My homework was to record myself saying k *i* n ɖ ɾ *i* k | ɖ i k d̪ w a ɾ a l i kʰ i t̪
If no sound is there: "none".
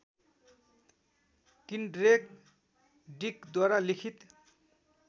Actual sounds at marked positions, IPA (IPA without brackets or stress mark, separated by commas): i, e